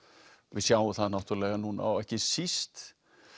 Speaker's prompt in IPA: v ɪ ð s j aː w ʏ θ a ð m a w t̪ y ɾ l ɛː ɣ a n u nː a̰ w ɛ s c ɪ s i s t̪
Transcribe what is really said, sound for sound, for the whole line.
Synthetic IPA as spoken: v ɪ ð s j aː w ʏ θ a ð n a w t̪ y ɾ l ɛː ɣ a n u n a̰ w ɛ h c ɪ s i s t̪

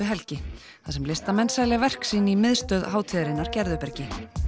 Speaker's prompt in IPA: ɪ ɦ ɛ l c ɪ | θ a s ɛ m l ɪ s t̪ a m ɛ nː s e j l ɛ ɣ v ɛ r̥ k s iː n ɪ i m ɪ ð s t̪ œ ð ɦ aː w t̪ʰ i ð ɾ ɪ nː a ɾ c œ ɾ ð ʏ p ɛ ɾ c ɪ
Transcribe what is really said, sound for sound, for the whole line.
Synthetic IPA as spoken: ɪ ɦ ɛ l c ɪ | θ a s ɛ m l ɪ s t̪ a m ɛ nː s a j l ɛ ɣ v ɛ r̥ k s iː n ɪ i m ɪ ð s t̪ œ ð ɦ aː w t̪ʰ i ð ɾ ɪ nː a ɾ c ɛ ɾ ð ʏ p ɛ ɾ c ɪ

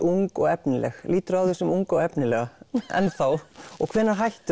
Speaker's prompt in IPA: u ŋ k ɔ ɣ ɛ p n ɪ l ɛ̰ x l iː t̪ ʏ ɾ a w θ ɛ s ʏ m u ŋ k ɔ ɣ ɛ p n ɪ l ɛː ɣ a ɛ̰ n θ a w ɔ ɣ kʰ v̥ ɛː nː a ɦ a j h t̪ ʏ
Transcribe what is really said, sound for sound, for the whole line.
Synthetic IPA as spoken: u ŋ k ɔ ɣ ɛ p n ɪ l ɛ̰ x l iː t̪ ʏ ɾ a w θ ɛ s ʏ m u ŋ k ɔ ɣ ɛ p n ɪ l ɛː ɣ a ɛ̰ n θ a w ɔ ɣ kʰ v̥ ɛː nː a ɦ a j h t̪ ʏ

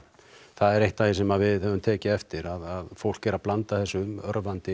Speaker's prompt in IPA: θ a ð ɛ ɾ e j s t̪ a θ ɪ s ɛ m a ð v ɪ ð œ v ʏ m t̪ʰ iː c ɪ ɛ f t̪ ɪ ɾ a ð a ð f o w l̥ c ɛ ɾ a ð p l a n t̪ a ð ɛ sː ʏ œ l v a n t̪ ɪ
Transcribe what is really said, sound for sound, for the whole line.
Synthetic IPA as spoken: θ a ð ɛ ɾ e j h t̪ a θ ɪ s ɛ m a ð v ɪ ð œ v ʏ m t̪ʰ ɛː c ɪ ɛ f t̪ ɪ ɾ a ð a ð f o w l̥ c ɛ ɾ a ð p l a n t̪ a θ ɛ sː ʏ œ ɾ v a n t̪ ɪ

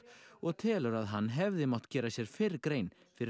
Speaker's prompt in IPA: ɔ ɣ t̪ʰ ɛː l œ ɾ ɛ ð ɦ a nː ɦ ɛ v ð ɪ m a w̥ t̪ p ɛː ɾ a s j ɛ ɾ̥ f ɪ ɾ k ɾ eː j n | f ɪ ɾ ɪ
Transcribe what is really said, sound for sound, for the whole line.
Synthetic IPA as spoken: ɔ ɣ t̪ʰ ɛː l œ ɾ a ð ɦ a nː ɦ ɛ v ð ɪ m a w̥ t̪ c ɛː ɾ a s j ɛ ɾ̥ f ɪ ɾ k ɾ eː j n | f ɪ ɾ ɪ

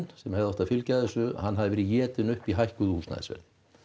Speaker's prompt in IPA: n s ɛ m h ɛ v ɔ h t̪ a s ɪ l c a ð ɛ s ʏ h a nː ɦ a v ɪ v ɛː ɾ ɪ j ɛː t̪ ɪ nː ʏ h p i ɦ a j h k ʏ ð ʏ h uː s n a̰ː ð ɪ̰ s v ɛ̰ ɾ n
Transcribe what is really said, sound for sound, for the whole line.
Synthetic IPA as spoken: n s ɛ m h ɛ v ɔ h t̪ a f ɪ l c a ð ɛ s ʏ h a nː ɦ a ð ɪ v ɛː ɾ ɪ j ɛː t̪ ɪ n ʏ h p i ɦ a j h k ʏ ð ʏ h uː s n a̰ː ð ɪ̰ s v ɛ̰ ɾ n

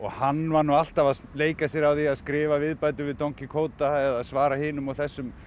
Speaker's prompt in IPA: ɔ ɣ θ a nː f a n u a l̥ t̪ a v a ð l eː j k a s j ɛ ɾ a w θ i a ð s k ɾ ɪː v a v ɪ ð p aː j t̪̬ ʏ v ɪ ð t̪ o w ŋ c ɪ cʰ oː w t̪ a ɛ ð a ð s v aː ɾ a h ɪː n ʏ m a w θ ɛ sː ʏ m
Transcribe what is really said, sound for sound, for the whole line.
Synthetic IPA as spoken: ɔ ɣ h a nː v a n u a l̥ t̪ a v a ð l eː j k a s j ɛ ɾ a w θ i a ð s k ɾ ɪː v a v ɪ ð p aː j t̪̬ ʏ v ɪ ð t̪ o w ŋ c ɪ kʰ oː w t̪ a ɛ ð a ð s v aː ɾ a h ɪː n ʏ m a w θ ɛ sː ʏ m

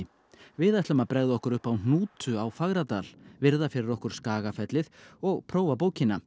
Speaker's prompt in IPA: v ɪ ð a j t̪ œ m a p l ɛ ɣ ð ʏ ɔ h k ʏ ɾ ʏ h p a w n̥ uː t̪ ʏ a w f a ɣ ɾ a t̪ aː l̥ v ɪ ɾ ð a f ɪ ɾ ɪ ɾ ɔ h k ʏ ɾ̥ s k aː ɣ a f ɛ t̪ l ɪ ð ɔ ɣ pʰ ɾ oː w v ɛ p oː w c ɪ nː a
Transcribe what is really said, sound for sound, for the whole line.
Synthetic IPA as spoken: v ɪ ð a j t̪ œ m a p ɾ ɛ ɣ ð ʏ ɔ h k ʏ ɾ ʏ h p a w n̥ uː t̪ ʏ a w f a ɣ ɾ a t̪ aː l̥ v ɪ ɾ ð a f ɪ ɾ ɪ ɾ ɔ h k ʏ ɾ̥ s k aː ɣ a f ɛ t̪ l ɪ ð ɔ ɣ pʰ ɾ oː w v a p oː w c ɪ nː a

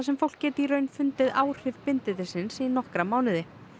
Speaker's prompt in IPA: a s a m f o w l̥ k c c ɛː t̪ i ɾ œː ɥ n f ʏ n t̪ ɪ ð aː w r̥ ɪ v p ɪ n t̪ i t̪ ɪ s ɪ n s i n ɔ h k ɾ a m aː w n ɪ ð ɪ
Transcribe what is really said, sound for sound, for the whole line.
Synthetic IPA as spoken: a s ɛ m f o w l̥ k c c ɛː t̪ i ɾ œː ɥ n f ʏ n t̪ ɪ ð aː w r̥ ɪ v p ɪ n t̪ ɪ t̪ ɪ s ɪ n s i n ɔ h k ɾ a m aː w n ɪ ð ɪ

